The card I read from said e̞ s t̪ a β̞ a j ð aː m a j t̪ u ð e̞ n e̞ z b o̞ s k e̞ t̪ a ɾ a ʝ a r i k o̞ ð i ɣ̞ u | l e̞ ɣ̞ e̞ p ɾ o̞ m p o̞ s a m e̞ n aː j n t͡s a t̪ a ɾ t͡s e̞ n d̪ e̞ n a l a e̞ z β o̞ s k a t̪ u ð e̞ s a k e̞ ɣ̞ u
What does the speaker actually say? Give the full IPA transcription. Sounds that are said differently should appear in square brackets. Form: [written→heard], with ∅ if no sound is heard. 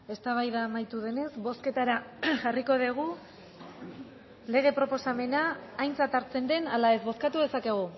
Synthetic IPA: e̞ s t̪ a β̞ a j ð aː m a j t̪ u ð e̞ n e̞ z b o̞ s k e̞ t̪ a ɾ a ʝ a r i k o̞ ð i ɣ̞ u | l e̞ ɣ̞ e̞ p ɾ o̞ [m→∅] p o̞ s a m e̞ n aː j n t͡s a t̪ a ɾ t͡s e̞ n d̪ e̞ n a l a e̞ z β o̞ s k a t̪ u ð e̞ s a k e̞ ɣ̞ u

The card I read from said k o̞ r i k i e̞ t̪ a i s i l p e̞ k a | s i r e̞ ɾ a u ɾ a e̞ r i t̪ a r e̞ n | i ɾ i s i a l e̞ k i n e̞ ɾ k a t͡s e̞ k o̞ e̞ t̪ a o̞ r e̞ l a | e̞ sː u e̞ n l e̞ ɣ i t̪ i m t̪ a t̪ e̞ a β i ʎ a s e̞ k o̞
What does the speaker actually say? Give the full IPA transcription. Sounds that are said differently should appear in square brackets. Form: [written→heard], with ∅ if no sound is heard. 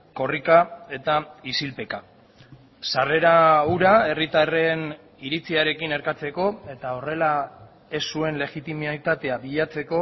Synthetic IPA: k o̞ r i k [i→a] e̞ t̪ a i s i l p e̞ k a | s [i→a] r e̞ ɾ a u ɾ a e̞ r i t̪ a r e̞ n | i ɾ i [s→t͡s] i a [l→ɾ] e̞ k i n e̞ ɾ k a t͡s e̞ k o̞ e̞ t̪ a o̞ r e̞ l a | e̞ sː u e̞ n l e̞ ɣ i t̪ i m t̪ a t̪ e̞ a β i ʎ a [s→t͡s] e̞ k o̞

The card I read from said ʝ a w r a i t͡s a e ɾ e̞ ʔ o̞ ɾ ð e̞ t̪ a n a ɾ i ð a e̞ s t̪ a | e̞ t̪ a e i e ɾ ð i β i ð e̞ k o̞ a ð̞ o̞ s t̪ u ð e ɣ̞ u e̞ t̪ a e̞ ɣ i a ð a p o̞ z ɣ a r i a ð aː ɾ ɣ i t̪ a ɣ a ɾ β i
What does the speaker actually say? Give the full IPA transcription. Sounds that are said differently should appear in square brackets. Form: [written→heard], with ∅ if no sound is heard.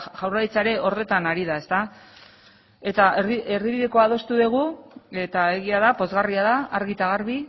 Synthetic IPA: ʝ a w r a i t͡s a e ɾ e̞ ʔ o̞ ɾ ð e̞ t̪ a n a ɾ i ð a e̞ s t̪ a | e̞ t̪ a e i e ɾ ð i β i ð e̞ k o̞ a ð̞ o̞ s t̪ u ð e ɣ̞ u e̞ t̪ a e̞ ɣ i a ð a p o̞ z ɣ a r i a ð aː ɾ ɣ i t̪ a ɣ a ɾ β i

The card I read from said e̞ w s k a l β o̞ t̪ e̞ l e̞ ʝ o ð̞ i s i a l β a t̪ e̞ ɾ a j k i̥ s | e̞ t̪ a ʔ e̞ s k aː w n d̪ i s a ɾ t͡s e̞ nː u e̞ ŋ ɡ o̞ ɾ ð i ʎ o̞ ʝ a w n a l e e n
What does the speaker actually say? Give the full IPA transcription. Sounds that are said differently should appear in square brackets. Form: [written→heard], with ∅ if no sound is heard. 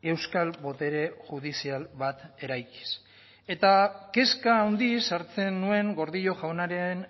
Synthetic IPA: e̞ w s k a l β o̞ t̪ e̞ [l→ɾ] e̞ ʝ [o→u] ð̞ i s i a l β a t̪ e̞ ɾ a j k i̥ s | e̞ t̪ a [ʔ→k] e̞ s k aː w n d̪ i s a ɾ t͡s e̞ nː u e̞ ŋ ɡ o̞ ɾ ð i ʎ o̞ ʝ a w n a [l→ɾ] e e n

